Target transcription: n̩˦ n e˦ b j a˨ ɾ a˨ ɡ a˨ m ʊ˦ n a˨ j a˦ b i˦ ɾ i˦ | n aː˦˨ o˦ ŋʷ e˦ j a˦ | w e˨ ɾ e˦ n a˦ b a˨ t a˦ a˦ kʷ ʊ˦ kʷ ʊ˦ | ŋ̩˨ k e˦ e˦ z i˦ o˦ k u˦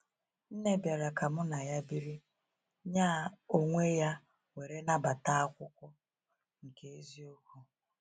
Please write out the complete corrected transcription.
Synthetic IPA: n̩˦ n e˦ b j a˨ ɾ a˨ k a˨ m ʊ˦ n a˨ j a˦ b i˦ ɾ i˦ | ɲ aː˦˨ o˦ ŋʷ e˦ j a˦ | w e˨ ɾ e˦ n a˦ b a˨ t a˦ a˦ kʷ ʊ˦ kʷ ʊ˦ | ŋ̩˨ k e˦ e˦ z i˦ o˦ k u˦

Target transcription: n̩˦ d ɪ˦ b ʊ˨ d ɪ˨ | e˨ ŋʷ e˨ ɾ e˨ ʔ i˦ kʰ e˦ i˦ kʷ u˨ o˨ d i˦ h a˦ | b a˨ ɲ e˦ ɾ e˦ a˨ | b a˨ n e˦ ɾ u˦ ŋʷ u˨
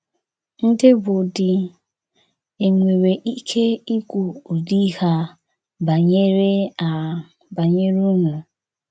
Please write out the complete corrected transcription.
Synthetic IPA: n̩˦ d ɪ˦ b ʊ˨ d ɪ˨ | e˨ ŋʷ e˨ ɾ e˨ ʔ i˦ kʰ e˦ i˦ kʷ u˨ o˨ d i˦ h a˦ | b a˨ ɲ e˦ ɾ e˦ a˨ | b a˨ ɲ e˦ ɾ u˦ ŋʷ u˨

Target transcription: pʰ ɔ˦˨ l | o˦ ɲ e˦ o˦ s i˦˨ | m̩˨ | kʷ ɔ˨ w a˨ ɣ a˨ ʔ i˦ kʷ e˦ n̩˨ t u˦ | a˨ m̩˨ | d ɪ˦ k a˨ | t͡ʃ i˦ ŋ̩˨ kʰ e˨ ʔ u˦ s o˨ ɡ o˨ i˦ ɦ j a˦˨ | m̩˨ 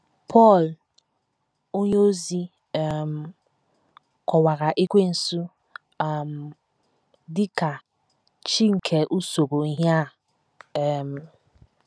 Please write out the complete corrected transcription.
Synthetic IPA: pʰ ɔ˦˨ l | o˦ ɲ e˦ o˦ z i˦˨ | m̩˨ | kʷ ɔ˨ w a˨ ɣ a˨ ʔ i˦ kʷ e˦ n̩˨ s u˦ | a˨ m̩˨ | d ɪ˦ k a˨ | t͡ʃ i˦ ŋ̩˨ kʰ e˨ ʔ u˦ s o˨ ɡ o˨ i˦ ɦ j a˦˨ | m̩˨

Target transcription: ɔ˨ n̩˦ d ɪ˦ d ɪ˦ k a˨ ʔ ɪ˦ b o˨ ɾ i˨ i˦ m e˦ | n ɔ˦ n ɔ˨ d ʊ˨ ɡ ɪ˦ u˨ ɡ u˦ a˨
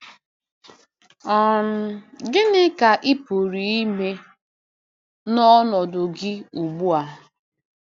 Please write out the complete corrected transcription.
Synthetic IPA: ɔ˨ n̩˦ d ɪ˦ n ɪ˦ k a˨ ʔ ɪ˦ p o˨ ɾ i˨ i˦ m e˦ | n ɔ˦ n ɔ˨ d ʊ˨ ɡ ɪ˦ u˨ ɡ͡b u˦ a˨

